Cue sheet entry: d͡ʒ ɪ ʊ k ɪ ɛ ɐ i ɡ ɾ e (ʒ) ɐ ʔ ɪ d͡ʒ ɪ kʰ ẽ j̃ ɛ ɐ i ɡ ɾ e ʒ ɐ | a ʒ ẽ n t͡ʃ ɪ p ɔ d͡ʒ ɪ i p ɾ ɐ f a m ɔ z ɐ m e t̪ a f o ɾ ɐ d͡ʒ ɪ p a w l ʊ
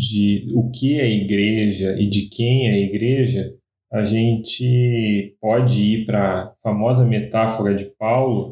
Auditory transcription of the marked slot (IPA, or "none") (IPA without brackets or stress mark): ʒ